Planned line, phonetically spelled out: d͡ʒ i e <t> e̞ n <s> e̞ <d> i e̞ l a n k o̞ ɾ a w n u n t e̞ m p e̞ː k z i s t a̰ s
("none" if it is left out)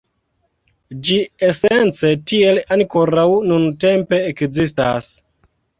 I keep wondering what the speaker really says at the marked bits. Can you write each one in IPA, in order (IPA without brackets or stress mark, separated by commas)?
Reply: s, t͡s, t